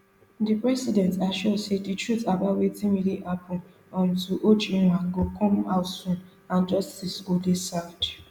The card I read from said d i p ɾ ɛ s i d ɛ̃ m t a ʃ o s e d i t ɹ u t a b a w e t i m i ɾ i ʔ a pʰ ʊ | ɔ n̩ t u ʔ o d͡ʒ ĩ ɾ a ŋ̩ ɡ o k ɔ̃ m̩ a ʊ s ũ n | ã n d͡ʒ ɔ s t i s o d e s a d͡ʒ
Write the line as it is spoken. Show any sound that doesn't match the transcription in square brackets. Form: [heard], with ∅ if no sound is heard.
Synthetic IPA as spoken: d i p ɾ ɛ s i d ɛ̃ [n] t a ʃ o s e d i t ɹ u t a b a w e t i m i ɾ i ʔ a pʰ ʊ | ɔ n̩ t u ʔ o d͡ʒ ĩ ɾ a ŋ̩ ɡ o k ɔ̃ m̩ a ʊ s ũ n | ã n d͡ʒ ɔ s t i s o d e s a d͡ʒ